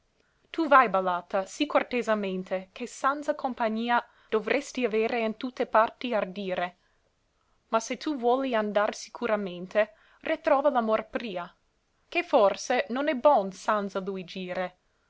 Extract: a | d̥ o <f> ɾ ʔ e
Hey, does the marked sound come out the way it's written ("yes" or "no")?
no